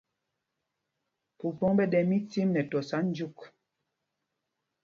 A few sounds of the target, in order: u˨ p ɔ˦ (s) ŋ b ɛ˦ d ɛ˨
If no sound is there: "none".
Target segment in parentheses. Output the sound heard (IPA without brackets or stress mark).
none